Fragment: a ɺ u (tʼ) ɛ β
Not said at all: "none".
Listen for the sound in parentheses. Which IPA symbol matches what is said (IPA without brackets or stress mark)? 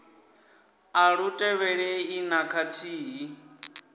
tʼ